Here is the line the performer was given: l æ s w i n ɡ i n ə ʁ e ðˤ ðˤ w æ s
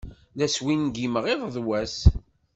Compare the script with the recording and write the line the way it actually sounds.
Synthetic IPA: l æ s w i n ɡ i m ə ʁ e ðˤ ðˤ w æ s